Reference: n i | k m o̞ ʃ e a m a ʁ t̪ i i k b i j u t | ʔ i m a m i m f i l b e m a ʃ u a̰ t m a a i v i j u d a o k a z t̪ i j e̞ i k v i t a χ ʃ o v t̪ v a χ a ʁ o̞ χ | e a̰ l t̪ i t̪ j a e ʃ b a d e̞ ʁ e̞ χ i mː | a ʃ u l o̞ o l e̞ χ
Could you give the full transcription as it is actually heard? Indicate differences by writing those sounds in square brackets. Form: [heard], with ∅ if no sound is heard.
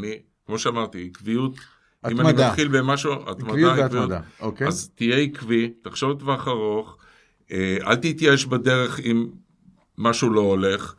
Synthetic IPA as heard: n i | k m o̞ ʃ e a m a ʁ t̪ i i k [v] i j u t | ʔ i m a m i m [χ] i l b e m a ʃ u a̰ t m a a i v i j u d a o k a z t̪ i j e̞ i k v i t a χ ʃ o v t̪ v a χ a ʁ o̞ χ | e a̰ l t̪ i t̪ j a e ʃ b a d e̞ ʁ e̞ χ i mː | a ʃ u l o̞ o l e̞ χ